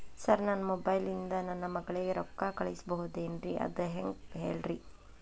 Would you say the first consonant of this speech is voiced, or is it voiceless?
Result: voiceless